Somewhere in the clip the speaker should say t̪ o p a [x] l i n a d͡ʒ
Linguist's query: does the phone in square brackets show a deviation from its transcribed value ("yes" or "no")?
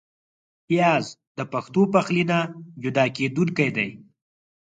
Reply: no